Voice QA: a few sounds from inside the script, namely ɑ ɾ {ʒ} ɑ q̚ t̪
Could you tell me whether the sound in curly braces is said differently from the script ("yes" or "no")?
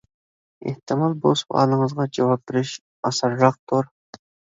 no